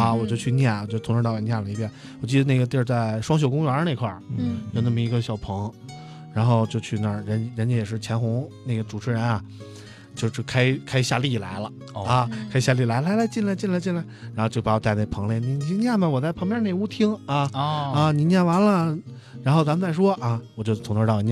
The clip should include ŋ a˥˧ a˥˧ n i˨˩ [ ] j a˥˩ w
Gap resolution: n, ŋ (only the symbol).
n